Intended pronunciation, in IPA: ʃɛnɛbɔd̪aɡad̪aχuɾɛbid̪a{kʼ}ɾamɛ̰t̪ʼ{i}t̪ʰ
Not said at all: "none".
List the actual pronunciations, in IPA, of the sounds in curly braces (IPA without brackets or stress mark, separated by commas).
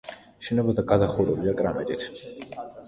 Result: kʼ, i